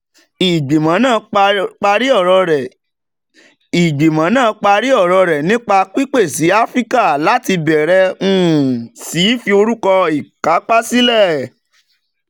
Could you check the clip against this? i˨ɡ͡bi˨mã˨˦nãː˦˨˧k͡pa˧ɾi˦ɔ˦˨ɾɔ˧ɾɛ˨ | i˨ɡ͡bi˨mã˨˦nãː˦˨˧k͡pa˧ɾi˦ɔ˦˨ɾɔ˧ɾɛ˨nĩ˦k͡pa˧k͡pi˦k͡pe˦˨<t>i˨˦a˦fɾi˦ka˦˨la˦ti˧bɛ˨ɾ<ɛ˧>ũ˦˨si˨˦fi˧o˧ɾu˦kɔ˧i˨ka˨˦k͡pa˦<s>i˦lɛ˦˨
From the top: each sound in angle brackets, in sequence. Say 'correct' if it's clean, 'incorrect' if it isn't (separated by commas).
incorrect, correct, correct